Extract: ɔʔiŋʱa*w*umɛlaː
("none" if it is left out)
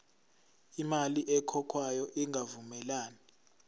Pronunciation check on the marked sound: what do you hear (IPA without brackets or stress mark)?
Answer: v